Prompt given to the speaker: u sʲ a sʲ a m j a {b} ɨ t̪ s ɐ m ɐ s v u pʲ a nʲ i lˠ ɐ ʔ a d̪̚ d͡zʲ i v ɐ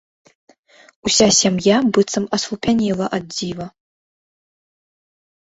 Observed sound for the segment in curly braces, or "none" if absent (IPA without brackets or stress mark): b